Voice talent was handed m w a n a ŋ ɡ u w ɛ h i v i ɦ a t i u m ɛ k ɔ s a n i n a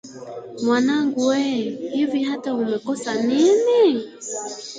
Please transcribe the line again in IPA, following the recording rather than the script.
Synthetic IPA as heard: m w a n a ŋ ɡ u w ɛ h i v i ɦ a t a u m ɛ k ɔ s a n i n i